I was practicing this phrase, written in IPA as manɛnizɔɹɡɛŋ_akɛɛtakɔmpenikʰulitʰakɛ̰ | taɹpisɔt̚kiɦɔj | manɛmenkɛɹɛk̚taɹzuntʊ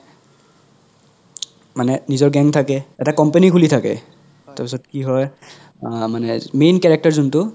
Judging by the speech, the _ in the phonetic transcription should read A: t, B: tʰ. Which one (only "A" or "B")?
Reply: B